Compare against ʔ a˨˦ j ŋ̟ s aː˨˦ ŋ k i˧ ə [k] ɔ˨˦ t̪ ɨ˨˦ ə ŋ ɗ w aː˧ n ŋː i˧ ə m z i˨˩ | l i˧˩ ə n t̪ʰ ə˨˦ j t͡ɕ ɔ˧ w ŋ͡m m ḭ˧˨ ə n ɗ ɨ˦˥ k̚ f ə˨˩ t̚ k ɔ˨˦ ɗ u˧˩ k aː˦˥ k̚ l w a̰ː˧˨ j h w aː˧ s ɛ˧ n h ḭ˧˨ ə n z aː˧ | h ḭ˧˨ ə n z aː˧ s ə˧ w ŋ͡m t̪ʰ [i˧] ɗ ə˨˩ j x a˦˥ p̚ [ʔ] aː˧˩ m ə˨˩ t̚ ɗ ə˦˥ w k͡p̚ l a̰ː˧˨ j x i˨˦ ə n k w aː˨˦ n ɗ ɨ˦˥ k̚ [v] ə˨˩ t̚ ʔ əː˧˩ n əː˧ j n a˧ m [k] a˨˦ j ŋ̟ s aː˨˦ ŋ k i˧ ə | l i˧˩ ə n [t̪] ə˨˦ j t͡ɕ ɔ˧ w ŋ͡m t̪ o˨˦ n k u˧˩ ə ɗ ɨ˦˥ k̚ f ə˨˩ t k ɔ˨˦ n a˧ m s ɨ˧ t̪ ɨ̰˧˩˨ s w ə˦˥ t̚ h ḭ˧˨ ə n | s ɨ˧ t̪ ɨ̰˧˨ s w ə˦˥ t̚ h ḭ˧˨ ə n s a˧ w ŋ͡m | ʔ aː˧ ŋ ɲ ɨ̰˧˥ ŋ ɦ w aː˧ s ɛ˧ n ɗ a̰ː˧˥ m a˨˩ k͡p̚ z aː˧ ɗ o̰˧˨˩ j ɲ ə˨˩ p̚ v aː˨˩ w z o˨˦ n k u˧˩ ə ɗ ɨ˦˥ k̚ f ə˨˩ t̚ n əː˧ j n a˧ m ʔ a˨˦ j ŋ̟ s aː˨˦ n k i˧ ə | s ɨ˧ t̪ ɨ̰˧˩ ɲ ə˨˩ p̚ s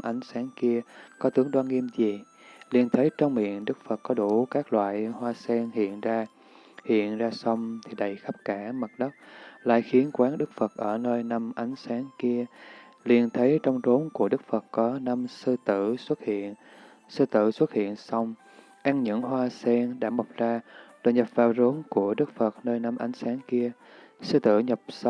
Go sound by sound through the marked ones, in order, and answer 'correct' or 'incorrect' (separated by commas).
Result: correct, incorrect, incorrect, incorrect, incorrect, incorrect